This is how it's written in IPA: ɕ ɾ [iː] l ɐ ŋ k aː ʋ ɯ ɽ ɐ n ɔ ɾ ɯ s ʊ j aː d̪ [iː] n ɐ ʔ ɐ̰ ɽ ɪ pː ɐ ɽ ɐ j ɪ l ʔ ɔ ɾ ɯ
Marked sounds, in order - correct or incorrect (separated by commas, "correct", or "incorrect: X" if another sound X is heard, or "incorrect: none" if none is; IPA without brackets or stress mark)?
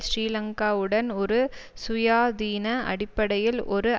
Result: correct, correct